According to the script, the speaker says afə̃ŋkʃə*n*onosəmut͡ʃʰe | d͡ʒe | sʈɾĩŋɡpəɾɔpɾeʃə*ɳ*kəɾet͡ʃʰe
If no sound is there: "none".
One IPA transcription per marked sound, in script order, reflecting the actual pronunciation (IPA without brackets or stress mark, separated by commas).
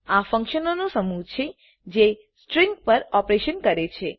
n, n